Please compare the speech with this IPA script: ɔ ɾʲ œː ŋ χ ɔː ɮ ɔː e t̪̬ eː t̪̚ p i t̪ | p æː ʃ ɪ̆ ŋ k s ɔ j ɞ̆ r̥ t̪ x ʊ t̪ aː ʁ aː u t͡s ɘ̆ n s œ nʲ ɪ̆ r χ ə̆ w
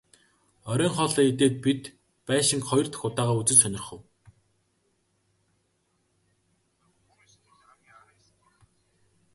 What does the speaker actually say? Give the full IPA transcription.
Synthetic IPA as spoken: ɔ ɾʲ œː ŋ χ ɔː ɮ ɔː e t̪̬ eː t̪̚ p i t̪ | p æː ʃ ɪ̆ ŋ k χ ɔ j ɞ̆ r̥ t̪ x ʊ t̪ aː ʁ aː u t͡s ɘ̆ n s œ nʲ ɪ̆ r χ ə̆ w